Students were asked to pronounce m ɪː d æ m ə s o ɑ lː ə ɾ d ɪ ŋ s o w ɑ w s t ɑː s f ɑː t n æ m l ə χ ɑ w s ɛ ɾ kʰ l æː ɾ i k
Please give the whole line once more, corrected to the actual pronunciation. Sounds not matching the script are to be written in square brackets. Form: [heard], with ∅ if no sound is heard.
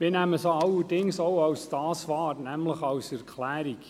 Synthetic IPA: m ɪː [n] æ m ə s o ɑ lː ə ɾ d ɪ ŋ s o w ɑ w s t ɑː s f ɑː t n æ m l ə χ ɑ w s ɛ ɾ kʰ l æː ɾ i k